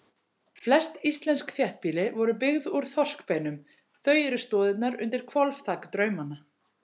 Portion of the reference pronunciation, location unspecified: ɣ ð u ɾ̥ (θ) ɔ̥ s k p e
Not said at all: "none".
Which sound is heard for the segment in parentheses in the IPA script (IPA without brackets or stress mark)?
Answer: θ